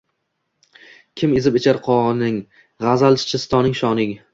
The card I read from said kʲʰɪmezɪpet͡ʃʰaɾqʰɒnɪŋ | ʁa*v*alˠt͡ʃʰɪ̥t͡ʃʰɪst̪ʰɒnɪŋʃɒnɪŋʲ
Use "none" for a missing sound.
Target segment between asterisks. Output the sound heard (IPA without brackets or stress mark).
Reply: z